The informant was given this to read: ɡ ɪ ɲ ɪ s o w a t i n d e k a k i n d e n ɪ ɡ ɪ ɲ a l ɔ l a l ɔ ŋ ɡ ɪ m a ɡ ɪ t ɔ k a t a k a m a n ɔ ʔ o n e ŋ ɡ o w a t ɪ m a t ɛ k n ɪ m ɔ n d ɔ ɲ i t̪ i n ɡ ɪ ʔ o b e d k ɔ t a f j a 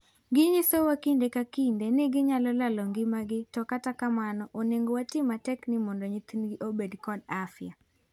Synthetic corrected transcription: ɡ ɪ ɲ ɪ s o w a k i n d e k a k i n d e n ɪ ɡ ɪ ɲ a l ɔ l a l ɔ ŋ ɡ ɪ m a ɡ ɪ t ɔ k a t a k a m a n ɔ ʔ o n e ŋ ɡ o w a t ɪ m a t ɛ k n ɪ m ɔ n d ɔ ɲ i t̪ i n ɡ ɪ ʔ o b e d k ɔ d a f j a